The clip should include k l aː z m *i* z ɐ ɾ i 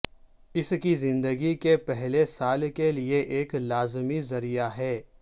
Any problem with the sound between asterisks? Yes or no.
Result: no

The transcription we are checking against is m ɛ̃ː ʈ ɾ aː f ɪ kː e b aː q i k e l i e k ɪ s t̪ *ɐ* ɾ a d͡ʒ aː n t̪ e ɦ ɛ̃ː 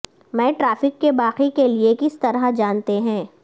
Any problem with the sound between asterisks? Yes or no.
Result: no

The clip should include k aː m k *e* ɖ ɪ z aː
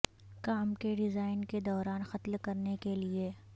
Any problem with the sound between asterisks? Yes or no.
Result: no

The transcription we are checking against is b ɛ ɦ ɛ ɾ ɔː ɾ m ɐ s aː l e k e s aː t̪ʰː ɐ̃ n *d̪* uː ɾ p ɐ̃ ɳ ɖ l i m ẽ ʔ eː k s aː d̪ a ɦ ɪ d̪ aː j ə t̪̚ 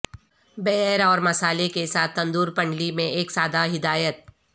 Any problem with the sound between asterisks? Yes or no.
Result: no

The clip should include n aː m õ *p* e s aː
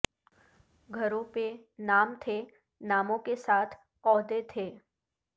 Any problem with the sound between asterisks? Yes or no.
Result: yes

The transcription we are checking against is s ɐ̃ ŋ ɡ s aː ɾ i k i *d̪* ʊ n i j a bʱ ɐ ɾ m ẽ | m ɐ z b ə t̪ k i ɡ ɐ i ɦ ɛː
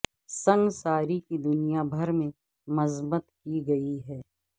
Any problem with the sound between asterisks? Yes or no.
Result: no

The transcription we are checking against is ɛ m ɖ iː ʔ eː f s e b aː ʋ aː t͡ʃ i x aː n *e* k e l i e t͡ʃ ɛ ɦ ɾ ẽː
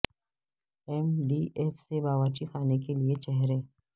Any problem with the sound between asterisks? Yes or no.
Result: no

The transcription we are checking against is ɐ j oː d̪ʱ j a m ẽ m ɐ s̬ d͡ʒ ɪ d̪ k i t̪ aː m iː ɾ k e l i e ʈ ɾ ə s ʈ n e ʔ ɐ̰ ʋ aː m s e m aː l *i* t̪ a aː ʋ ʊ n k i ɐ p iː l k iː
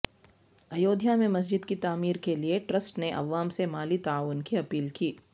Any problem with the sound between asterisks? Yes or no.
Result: no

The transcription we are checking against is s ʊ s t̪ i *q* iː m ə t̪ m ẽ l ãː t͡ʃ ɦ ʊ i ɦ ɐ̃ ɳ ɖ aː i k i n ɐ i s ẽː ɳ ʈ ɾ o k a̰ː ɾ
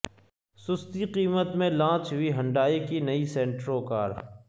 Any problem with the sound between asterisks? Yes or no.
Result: no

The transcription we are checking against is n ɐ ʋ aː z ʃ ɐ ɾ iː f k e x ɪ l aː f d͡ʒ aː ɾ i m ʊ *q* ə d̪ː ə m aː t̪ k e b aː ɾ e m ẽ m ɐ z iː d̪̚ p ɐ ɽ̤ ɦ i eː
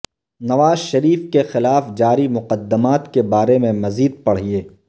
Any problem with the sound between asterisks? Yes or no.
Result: no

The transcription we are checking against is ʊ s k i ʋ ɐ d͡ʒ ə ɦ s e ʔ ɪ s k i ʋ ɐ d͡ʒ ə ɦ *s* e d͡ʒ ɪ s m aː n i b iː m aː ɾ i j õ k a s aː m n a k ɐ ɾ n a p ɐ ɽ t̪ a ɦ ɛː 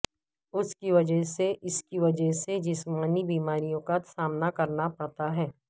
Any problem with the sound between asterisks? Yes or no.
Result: no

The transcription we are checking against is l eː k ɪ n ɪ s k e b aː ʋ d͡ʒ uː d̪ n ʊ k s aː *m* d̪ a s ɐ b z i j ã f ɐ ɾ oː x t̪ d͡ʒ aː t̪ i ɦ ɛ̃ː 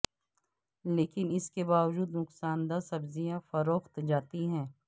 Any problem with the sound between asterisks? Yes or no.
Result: yes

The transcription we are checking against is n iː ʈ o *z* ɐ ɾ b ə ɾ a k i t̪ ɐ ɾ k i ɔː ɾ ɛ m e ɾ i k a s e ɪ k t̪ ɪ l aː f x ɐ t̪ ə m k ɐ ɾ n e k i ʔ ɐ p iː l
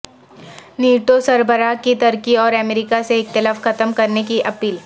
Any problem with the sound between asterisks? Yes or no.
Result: yes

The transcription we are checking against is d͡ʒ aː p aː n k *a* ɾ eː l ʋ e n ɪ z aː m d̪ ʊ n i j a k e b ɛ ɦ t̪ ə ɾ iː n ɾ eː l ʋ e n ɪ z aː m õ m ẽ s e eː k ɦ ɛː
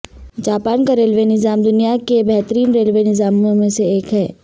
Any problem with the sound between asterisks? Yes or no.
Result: no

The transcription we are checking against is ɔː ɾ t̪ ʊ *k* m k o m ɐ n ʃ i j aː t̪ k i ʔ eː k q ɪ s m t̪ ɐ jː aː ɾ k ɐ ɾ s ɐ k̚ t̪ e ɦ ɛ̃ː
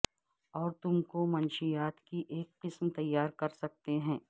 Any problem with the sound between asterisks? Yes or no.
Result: yes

